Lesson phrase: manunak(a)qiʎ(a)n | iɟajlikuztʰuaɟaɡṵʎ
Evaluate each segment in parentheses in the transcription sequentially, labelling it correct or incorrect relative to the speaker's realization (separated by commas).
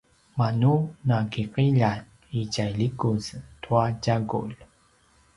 incorrect, correct